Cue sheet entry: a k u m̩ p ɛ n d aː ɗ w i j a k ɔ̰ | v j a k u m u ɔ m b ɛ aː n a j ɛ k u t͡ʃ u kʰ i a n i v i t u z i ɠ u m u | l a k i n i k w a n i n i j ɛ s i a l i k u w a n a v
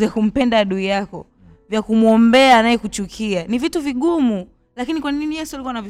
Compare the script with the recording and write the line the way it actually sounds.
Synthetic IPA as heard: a k u m̩ p ɛ n d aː ɗ u i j a k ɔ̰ | v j a k u m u ɔ m b ɛ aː n a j ɛ k u t͡ʃ u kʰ i a n i v i t u v i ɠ u m u | l a k i n i k w a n i n i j ɛ s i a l i k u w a n a v